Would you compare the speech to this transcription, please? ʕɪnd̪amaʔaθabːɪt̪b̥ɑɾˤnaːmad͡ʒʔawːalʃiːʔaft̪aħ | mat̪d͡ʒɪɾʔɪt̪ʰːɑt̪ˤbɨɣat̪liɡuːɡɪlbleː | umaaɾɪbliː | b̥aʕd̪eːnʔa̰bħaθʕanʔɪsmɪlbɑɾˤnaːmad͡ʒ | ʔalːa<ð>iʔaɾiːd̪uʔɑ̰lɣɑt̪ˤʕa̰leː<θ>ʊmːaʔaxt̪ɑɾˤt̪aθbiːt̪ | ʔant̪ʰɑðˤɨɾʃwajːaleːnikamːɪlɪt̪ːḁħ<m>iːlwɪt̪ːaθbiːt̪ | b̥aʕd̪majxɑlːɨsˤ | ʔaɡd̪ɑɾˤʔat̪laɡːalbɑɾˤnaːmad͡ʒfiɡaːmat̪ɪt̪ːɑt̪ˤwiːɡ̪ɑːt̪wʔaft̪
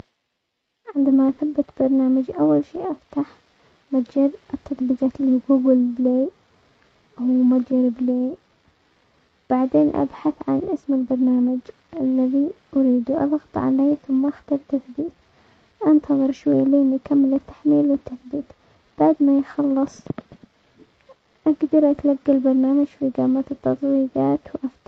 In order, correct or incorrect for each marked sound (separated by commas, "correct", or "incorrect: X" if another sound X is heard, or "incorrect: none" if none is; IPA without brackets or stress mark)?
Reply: correct, correct, correct